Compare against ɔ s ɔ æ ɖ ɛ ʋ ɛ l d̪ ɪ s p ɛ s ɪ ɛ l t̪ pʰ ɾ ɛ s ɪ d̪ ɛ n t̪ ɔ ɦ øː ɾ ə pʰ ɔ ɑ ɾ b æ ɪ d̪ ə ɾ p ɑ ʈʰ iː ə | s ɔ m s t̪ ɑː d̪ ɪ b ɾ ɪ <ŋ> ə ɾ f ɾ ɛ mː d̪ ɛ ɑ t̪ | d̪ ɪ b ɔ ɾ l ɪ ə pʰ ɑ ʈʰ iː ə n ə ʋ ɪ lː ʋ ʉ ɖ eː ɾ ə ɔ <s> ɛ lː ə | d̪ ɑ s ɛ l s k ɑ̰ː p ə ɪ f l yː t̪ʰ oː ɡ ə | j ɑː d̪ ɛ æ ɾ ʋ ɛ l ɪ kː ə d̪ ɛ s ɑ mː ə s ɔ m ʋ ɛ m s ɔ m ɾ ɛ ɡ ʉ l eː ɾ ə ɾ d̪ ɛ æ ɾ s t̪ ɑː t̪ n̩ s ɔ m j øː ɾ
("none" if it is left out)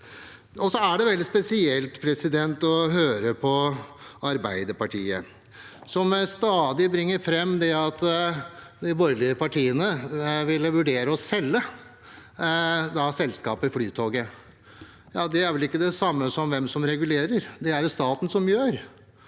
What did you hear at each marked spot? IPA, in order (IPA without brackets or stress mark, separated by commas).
ŋː, s